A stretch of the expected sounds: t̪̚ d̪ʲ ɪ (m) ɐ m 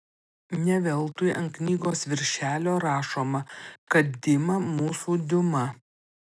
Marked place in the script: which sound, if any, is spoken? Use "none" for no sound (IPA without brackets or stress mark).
m